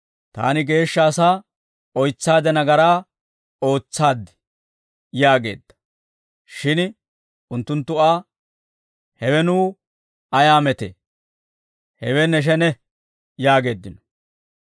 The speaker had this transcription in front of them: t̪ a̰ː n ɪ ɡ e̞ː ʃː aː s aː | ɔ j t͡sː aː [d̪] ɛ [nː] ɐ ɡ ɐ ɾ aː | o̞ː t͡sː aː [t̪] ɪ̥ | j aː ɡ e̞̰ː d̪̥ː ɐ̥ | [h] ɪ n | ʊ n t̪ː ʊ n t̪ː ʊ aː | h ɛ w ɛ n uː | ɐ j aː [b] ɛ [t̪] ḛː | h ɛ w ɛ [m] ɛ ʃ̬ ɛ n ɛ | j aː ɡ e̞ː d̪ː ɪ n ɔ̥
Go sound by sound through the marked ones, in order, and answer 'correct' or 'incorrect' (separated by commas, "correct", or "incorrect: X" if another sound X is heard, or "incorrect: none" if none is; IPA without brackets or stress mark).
correct, incorrect: n, incorrect: d̪, incorrect: ʃ, incorrect: m, correct, incorrect: n